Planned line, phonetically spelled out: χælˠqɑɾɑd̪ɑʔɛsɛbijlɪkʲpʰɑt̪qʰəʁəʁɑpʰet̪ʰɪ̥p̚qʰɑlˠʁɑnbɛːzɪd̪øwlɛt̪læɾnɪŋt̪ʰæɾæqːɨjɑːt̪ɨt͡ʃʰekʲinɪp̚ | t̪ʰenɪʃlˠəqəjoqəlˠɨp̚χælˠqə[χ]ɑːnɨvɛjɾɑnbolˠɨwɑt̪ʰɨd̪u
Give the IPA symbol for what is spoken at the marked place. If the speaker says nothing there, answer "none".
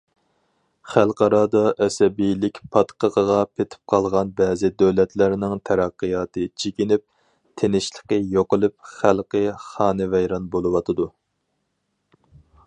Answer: χ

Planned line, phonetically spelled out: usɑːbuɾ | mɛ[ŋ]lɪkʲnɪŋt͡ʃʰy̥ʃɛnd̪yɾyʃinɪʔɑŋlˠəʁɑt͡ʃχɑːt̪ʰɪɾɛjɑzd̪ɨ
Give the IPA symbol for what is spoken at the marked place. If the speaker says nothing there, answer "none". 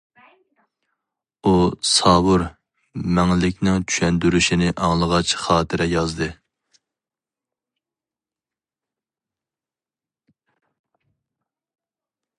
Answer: ŋ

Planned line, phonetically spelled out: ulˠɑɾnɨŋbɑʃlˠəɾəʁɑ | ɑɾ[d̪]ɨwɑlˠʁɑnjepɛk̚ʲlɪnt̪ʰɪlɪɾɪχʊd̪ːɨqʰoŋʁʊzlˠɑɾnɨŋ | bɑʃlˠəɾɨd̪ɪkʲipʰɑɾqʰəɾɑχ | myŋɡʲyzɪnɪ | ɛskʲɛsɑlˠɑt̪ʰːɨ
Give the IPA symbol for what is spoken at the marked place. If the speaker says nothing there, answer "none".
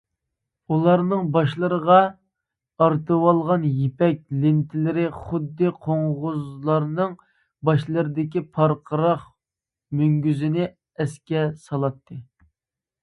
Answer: t̪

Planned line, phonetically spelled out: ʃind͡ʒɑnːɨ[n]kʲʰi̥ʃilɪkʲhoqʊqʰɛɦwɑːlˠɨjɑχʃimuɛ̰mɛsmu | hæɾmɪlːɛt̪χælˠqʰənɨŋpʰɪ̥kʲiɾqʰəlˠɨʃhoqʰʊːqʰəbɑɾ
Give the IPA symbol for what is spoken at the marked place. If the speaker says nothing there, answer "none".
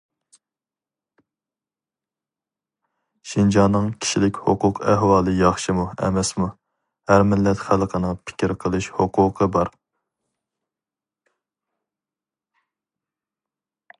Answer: ŋ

